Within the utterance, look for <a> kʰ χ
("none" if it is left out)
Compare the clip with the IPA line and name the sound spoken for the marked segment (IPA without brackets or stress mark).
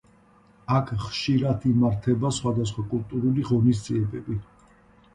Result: a